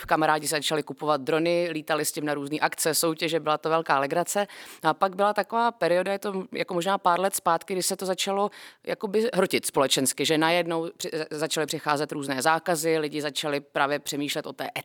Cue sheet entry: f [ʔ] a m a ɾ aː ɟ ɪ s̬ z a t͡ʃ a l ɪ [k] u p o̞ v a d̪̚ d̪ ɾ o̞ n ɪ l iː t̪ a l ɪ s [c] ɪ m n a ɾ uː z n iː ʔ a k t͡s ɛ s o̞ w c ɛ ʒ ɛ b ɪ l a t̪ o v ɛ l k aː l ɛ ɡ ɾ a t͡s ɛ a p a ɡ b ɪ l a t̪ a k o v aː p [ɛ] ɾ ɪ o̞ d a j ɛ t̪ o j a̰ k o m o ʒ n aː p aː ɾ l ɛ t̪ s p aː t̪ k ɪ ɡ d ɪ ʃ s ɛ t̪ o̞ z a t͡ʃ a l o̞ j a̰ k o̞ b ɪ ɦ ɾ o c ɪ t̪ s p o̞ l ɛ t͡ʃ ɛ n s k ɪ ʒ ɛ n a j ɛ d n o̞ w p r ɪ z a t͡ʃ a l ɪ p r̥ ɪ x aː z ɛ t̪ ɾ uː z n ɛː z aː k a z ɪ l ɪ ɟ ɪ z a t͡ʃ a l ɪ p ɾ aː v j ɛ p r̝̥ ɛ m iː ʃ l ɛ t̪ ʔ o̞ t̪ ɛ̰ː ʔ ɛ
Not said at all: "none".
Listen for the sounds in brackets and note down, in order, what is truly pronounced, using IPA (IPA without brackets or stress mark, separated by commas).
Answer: k, k, c, ɛ